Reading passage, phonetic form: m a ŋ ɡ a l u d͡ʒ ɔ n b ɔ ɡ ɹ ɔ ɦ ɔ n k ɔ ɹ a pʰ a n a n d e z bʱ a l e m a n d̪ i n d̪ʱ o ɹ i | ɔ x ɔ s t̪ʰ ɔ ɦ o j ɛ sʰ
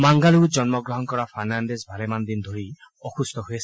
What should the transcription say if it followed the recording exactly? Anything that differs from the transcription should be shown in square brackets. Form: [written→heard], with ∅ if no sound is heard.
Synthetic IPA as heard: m a ŋ ɡ a l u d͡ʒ ɔ n [b→m] ɔ ɡ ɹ ɔ ɦ ɔ n k ɔ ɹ a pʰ a n a n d e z bʱ a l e m a n d̪ i n d̪ʱ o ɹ i | ɔ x [ɔ→u] s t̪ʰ ɔ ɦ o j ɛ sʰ